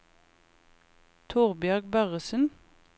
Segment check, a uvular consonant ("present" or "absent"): present